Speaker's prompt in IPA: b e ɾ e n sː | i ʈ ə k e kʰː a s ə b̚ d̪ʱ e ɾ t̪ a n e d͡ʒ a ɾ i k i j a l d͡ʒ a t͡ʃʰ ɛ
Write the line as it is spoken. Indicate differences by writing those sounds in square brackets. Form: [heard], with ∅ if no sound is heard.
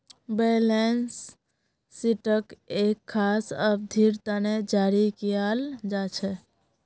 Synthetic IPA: b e [l] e n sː | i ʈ ə k e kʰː a s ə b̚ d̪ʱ [i] ɾ t̪ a n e d͡ʒ a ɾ i k i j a l d͡ʒ a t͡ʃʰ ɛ